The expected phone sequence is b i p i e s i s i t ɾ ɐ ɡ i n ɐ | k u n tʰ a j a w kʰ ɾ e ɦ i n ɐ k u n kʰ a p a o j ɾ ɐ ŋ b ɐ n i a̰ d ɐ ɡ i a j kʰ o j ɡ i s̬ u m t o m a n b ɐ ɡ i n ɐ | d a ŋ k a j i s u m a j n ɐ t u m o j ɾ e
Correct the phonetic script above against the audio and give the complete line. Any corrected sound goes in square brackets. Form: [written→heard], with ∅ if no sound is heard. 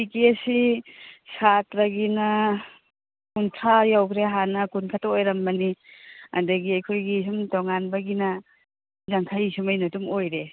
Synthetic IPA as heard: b i [p→k] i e s i s [i→a] t ɾ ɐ ɡ i n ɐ | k u n tʰ a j a w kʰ ɾ e ɦ [i→a] n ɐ k u n kʰ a [p→t] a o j ɾ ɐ [ŋ→m] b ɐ n i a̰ d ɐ ɡ i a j kʰ o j ɡ i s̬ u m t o [m→ŋ] a n b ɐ ɡ i n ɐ | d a ŋ [k→kʰ] a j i s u m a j n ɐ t u m o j ɾ e